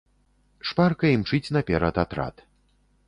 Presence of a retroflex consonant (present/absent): present